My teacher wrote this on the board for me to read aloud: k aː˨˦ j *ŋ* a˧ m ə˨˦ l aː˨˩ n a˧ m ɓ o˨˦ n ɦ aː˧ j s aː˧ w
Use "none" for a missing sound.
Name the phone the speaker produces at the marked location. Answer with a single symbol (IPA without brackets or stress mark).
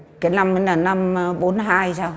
n